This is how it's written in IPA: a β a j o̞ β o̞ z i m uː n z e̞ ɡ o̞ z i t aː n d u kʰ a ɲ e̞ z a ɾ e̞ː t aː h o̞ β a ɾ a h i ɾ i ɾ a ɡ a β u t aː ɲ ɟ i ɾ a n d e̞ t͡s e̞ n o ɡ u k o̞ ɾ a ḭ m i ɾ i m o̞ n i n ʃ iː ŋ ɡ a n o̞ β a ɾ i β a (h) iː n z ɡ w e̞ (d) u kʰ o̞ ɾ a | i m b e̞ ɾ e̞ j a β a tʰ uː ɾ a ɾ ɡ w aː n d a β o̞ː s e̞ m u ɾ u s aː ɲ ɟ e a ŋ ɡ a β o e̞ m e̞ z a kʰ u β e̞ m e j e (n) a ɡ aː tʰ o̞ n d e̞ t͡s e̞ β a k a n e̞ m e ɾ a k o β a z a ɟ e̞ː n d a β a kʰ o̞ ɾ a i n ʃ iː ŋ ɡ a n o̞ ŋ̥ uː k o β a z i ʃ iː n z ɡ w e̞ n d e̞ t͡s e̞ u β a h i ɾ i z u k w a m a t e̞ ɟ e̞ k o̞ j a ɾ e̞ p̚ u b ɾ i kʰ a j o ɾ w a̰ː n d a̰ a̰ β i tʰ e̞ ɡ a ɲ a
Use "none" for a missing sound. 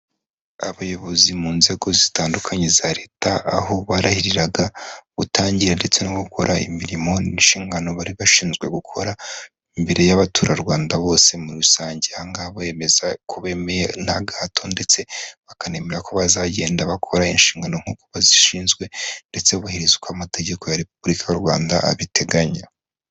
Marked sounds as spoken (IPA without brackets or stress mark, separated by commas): ʃ, ɡ, n